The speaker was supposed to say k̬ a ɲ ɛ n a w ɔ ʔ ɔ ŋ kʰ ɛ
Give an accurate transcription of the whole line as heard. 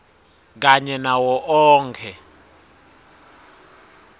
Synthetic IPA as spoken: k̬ a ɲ ɛ n a w ɔ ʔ ɔː ŋ kʰ ɛ